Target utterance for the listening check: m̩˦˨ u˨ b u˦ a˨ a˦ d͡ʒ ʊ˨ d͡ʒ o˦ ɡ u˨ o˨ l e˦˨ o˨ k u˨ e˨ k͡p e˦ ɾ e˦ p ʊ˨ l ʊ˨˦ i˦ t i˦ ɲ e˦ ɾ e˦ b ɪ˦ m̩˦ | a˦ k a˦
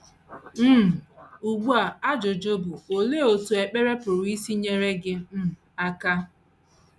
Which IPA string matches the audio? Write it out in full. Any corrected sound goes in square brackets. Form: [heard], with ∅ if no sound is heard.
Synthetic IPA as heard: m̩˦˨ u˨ [ɡ͡b] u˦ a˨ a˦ d͡ʒ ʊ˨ d͡ʒ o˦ [b] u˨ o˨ l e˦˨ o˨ [t] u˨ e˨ k͡p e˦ ɾ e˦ p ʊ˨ [ɾ] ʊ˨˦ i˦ [s] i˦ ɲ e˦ ɾ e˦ [ɡ] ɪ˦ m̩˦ | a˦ k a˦